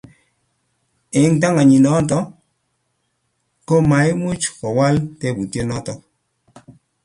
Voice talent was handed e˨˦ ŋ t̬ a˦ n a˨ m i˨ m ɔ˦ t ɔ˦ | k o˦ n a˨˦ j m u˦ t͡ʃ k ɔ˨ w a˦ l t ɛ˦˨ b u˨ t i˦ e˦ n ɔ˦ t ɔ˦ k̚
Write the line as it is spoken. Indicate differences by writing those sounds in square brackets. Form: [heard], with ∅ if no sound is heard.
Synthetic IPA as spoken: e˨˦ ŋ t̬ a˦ [ŋ] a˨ [ɲ] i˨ [n] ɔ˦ t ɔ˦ | k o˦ [m] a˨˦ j m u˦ t͡ʃ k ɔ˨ w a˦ l t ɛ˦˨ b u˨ t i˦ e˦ n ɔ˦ t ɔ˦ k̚